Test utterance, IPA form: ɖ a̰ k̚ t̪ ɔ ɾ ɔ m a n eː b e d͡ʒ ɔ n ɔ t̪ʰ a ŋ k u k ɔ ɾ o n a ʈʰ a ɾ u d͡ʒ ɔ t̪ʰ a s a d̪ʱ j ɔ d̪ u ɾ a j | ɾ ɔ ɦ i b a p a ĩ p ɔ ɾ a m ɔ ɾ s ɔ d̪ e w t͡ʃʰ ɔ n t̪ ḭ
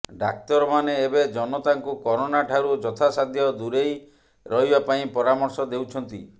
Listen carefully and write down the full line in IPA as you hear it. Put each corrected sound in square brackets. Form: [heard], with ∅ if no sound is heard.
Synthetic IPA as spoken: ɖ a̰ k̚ t̪ ɔ ɾ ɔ m a n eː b e d͡ʒ ɔ n ɔ [t̪] a ŋ k u k ɔ ɾ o n a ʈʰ a ɾ u d͡ʒ ɔ t̪ʰ a s a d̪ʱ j ɔ d̪ u ɾ [e] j | ɾ ɔ ɦ i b a p a ĩ p ɔ ɾ a m ɔ ɾ s ɔ d̪ e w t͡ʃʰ ɔ n t̪ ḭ